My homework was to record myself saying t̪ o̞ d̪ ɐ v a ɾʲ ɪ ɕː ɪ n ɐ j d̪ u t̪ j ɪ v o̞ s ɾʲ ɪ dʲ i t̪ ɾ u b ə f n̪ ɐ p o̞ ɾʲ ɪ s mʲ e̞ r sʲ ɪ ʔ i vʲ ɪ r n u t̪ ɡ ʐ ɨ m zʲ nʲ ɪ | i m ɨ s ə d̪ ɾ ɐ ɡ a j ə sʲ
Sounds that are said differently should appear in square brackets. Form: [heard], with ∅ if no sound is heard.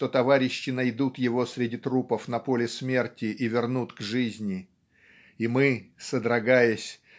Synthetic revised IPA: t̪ o̞ [t̪] ɐ v a ɾʲ ɪ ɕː ɪ n ɐ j d̪ u t̪ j ɪ v o̞ s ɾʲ ɪ dʲ i t̪ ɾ u [p] ə f n̪ ɐ p o̞ [lʲ] ɪ s mʲ e̞ r [tʲ] ɪ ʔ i vʲ ɪ r n u t̪ ɡ ʐ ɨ [∅] zʲ nʲ ɪ | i m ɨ s ə d̪ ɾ ɐ ɡ a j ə sʲ

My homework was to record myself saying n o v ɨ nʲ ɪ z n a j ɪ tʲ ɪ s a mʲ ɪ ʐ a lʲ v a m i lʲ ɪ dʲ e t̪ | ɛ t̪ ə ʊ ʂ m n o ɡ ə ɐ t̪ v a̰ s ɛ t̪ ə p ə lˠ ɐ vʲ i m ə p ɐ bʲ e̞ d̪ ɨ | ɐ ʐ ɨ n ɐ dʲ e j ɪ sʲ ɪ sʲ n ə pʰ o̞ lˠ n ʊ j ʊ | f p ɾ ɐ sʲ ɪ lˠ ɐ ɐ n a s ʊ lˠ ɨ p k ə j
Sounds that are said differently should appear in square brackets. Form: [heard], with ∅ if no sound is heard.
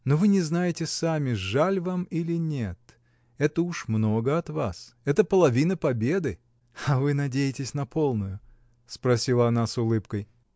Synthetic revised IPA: n o v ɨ nʲ ɪ z n a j ɪ tʲ ɪ s a mʲ ɪ ʐ a lʲ v a m i lʲ ɪ [nʲ] e t̪ | ɛ t̪ ə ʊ ʂ m n o ɡ ə ɐ t̪ v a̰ s ɛ t̪ ə p ə lˠ ɐ vʲ i [n] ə p ɐ bʲ e̞ d̪ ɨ | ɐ [v] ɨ n ɐ dʲ e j ɪ [tʲ] ɪ sʲ n [ɐ] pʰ o̞ lˠ n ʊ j ʊ | [s] p ɾ ɐ sʲ [i] lˠ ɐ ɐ n a s ʊ lˠ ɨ p k ə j

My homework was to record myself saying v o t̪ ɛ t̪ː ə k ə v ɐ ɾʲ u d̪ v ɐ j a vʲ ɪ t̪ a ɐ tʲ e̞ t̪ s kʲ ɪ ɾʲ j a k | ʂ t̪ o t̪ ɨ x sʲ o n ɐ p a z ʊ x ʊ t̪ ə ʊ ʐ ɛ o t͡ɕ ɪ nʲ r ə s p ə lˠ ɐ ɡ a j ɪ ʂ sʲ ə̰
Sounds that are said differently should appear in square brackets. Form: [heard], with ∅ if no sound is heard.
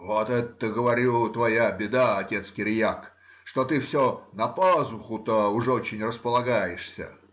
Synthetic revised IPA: v o t̪ ɛ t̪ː ə [ɡ] ə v ɐ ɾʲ u [t̪] v ɐ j a [bʲ] ɪ [d̪] a ɐ tʲ e̞ t̪ s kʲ ɪ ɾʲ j a k | ʂ t̪ o t̪ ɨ [f] sʲ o n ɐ p a z ʊ x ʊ t̪ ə ʊ ʐ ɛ o t͡ɕ ɪ nʲ r ə s p ə lˠ ɐ ɡ a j ɪ ʂ sʲ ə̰

